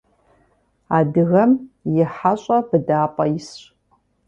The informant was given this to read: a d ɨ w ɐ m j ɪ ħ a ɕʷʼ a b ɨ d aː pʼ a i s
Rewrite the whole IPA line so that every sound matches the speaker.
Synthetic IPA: a d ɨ ɣ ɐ m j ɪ ħ a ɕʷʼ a b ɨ d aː pʼ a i s